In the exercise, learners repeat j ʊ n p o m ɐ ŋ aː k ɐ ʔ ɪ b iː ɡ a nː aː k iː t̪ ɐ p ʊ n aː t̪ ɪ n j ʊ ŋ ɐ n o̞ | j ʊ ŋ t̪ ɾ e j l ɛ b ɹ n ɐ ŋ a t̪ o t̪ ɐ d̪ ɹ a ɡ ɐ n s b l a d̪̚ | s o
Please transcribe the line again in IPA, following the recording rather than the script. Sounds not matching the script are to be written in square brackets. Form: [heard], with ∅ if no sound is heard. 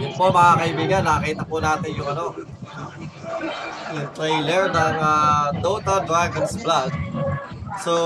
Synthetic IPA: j ʊ n p o m ɐ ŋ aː k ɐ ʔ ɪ b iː ɡ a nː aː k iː t̪ ɐ p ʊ n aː t̪ ɪ n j ʊ ŋ ɐ n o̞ | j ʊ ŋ t̪ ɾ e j l ɛ [∅] ɹ n ɐ ŋ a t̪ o t̪ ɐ d̪ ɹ a ɡ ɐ n s b l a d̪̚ | s o